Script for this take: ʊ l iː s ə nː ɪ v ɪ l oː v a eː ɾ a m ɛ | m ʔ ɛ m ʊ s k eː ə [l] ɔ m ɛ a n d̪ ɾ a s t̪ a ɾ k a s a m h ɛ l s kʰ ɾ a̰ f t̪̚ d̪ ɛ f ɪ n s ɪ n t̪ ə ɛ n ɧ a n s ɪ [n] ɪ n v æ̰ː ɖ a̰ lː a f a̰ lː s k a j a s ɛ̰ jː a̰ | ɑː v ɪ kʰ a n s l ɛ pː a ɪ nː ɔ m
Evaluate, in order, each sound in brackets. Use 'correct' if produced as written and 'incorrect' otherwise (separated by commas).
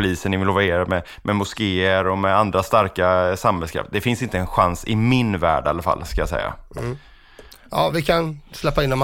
incorrect, incorrect